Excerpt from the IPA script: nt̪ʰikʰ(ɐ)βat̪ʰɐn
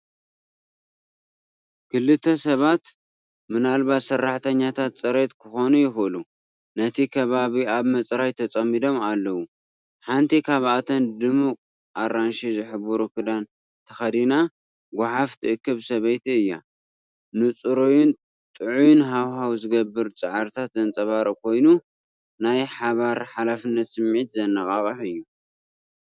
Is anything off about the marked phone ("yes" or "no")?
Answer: yes